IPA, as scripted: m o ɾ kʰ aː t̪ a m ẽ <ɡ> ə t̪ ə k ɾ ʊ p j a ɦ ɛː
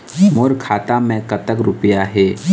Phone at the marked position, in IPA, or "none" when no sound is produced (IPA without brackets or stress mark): k